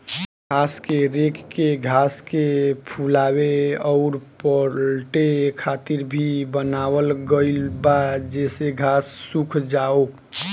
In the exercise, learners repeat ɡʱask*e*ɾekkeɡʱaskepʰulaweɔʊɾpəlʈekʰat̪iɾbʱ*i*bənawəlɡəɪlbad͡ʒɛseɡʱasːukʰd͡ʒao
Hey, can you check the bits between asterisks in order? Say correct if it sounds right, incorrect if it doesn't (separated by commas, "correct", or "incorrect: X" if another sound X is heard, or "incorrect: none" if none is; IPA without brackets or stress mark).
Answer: correct, correct